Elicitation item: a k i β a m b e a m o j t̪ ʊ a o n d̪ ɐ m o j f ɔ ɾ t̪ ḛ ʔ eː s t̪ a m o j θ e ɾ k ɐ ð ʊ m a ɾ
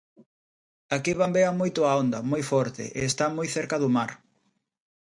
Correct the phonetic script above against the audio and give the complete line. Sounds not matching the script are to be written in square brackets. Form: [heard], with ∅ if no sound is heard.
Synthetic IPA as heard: a k i β a m b e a m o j t̪ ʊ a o n d̪ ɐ m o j f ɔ ɾ t̪ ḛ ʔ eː s t̪ a m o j θ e ɾ k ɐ ð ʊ m a ɾ

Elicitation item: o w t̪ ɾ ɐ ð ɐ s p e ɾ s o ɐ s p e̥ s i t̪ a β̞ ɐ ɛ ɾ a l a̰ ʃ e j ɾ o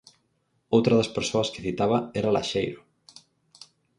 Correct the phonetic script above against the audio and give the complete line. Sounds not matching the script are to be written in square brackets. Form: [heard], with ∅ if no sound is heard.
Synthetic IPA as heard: o w t̪ ɾ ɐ ð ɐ s p e ɾ s o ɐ s [k] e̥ [θ] i t̪ a β̞ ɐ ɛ ɾ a l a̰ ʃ e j ɾ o

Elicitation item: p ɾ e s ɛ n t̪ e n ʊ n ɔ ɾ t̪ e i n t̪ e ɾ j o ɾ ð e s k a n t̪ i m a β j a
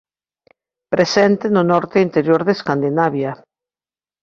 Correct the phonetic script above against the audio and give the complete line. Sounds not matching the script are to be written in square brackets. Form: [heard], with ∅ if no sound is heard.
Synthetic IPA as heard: p ɾ e s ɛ n t̪ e n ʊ n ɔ ɾ t̪ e i n t̪ e ɾ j o ɾ ð e s k a n [d̪] i [n] a β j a

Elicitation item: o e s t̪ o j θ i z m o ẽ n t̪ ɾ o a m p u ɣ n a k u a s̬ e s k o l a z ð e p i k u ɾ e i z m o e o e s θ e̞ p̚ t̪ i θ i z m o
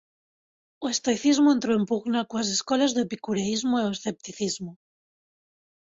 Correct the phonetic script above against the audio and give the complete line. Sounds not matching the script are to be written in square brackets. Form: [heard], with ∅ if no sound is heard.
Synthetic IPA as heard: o e s t̪ o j θ i z m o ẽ n t̪ ɾ o [e] m p u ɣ n a k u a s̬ e s k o l a z ð e p i k u ɾ e i z m o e o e s θ e̞ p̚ t̪ i θ i z m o

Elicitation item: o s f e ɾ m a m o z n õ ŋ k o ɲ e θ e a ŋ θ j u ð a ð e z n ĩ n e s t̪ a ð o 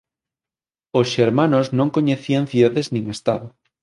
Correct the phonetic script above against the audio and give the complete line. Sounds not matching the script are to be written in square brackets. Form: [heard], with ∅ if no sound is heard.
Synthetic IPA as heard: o s [ʃ] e ɾ m a [n] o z n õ ŋ k o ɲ e θ [i] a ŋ θ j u ð a ð e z n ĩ [ŋ] e s t̪ a ð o

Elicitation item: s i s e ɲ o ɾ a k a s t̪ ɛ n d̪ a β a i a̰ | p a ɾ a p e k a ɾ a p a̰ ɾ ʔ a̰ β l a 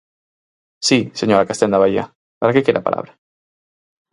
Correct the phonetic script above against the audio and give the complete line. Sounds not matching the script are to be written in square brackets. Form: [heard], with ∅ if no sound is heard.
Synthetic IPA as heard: s i s e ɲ o ɾ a k a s t̪ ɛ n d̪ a β a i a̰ | p a ɾ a [k] e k [e] ɾ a p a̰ [l] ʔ a̰ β [ɾ] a

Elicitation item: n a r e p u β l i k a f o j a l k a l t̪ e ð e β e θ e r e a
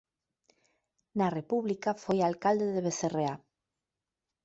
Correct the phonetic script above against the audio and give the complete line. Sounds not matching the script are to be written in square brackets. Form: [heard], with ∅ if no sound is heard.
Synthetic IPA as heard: n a r e p u β l i k a f o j a l k a l [d̪] e ð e β e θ e r e a

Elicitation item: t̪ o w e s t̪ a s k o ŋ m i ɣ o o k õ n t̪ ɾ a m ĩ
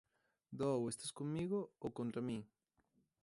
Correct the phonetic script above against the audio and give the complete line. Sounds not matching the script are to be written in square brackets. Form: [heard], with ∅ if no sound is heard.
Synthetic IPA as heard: [d̪] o w e s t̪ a s k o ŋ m i ɣ o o k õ n t̪ ɾ a m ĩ

